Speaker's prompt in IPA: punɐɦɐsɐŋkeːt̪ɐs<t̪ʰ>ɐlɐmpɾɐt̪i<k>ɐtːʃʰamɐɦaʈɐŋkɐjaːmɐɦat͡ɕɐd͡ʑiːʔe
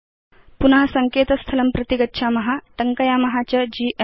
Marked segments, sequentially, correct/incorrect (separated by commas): correct, incorrect